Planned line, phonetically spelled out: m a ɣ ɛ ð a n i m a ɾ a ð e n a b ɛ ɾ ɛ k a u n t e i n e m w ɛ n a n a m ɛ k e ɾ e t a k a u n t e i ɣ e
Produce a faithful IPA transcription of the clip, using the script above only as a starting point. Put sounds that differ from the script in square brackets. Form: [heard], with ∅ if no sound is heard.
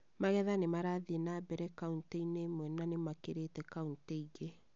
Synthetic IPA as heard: m a ɣ ɛ ð a n [e] m a ɾ a ð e n a b ɛ ɾ ɛ k a u n t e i n e m w ɛ n a n [e] m [a] k e ɾ e t [ɛ] k a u n t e i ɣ e